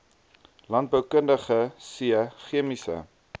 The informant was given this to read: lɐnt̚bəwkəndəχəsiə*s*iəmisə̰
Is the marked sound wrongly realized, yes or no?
yes